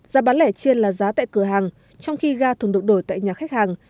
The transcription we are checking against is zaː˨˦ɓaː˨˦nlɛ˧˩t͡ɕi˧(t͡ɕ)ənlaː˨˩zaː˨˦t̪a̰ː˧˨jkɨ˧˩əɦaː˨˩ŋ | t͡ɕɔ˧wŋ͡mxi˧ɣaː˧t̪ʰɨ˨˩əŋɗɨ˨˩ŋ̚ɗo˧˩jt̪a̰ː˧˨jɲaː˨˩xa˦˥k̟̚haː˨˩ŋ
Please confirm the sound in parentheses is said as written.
no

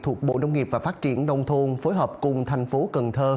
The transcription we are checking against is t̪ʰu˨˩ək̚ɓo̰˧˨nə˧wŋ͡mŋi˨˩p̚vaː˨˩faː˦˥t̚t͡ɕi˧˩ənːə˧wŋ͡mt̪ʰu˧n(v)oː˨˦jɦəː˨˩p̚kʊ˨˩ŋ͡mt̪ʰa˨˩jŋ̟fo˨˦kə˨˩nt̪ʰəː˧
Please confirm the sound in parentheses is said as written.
no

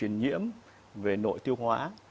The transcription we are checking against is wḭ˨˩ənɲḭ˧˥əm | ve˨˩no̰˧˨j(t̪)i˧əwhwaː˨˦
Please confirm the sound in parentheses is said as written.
yes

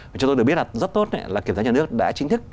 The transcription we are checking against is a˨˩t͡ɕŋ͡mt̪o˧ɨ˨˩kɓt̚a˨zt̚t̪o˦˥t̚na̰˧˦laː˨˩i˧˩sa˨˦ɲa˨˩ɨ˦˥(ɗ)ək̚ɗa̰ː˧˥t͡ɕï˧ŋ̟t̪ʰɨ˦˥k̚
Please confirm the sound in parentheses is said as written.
no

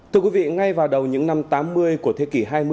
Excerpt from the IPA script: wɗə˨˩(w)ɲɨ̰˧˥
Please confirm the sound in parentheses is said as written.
yes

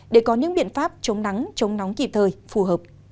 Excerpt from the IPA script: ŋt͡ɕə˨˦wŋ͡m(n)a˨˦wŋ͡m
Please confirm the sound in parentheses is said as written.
yes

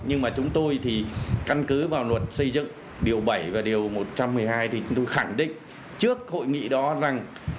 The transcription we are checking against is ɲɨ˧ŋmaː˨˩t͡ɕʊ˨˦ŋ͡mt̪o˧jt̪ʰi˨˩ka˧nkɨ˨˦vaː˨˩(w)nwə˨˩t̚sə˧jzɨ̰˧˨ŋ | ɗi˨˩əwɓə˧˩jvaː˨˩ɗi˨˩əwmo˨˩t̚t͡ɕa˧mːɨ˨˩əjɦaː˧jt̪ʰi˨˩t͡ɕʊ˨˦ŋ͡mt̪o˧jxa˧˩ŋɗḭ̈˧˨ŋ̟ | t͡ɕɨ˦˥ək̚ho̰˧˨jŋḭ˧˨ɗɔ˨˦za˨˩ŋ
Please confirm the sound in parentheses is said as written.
yes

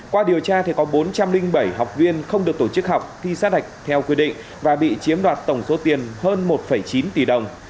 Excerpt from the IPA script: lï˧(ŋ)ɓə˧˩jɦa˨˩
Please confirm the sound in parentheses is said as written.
yes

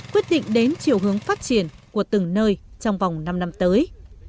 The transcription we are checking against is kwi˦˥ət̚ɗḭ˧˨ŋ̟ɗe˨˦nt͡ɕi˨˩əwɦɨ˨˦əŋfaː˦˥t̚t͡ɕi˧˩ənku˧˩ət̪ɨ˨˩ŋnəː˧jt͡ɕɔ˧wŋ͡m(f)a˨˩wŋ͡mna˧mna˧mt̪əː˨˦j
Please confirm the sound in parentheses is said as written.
no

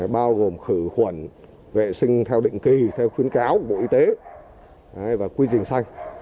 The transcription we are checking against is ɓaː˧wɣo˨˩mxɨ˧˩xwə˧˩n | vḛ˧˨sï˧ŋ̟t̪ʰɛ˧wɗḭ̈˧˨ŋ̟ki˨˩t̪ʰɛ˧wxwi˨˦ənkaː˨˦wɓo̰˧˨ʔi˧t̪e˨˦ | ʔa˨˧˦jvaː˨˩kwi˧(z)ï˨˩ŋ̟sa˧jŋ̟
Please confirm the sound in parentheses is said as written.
yes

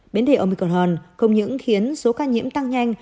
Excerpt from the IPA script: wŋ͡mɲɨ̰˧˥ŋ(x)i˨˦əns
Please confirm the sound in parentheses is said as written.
yes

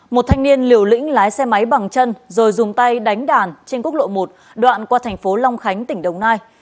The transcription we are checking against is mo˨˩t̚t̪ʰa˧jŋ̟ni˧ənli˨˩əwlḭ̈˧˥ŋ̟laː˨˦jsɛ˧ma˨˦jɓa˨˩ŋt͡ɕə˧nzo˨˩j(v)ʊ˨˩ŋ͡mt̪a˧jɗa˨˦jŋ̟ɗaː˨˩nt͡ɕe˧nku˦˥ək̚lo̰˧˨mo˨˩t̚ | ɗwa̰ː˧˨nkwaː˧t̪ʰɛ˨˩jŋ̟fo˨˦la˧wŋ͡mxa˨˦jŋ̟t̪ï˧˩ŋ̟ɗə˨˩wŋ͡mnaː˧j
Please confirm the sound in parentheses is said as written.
no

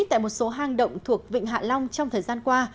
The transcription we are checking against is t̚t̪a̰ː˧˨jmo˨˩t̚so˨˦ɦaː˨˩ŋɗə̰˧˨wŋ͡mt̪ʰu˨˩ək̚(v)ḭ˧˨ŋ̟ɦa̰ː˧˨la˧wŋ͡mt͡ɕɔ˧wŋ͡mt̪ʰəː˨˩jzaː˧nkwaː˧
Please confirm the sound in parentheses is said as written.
yes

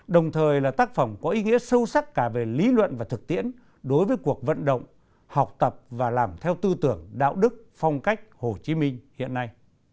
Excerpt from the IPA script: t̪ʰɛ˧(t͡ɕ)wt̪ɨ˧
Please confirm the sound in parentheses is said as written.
no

